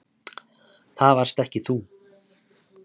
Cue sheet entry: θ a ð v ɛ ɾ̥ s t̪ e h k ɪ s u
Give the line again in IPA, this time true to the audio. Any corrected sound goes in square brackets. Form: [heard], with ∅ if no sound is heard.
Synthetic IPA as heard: θ a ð v [a] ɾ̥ s t̪ [ɛ] h [c] ɪ [θ] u